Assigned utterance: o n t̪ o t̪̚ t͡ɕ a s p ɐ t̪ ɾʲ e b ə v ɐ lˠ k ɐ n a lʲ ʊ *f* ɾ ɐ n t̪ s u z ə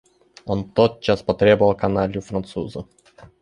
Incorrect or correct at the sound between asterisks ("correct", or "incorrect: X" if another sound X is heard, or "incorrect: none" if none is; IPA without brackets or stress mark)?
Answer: correct